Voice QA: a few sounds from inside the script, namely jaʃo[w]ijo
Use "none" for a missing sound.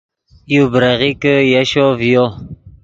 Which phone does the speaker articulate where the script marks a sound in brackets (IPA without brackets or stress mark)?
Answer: v